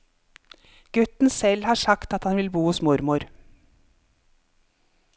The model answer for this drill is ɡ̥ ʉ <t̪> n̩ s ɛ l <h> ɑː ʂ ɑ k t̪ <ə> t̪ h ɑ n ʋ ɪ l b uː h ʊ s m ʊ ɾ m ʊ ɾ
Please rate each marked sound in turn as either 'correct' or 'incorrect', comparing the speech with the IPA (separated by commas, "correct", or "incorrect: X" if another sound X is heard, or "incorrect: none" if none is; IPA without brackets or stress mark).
correct, correct, incorrect: ɑ